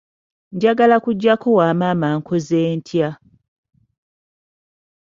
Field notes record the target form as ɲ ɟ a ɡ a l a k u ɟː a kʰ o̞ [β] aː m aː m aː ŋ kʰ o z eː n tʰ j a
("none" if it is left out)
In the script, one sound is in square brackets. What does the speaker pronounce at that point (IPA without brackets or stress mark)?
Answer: w